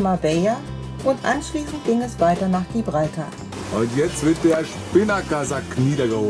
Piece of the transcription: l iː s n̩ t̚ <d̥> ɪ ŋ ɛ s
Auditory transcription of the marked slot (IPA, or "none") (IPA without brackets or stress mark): ɡ̥